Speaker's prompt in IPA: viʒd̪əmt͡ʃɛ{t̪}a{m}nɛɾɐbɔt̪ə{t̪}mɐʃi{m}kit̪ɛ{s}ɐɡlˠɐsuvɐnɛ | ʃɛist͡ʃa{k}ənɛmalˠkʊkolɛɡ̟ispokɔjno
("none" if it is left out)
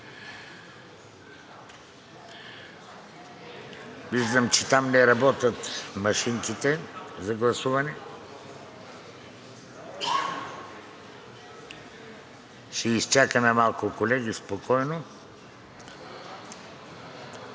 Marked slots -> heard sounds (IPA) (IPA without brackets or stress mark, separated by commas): t̪, m, t̪, ŋ, z, k